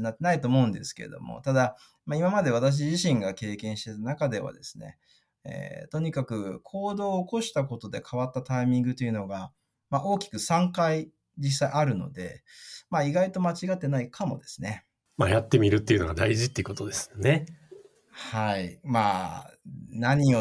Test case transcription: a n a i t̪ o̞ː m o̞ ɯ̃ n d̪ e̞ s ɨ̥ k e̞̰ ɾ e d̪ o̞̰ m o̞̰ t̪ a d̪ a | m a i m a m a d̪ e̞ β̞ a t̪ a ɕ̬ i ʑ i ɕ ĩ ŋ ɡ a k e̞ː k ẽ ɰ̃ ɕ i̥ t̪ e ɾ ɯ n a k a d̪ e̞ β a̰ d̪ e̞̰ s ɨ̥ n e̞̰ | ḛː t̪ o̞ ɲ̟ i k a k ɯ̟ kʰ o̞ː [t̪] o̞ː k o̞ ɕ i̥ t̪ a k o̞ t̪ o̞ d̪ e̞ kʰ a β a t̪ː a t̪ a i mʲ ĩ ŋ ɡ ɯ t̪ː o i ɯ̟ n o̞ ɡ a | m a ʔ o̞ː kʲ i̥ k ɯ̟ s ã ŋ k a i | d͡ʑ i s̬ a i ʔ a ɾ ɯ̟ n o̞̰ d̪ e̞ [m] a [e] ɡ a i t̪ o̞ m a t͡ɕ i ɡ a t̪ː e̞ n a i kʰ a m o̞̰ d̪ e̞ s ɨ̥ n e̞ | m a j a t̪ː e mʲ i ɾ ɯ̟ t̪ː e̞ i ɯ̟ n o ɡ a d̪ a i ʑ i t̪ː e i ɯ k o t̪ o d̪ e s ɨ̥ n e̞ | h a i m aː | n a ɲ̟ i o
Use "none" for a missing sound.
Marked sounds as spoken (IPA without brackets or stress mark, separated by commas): d̪, m, i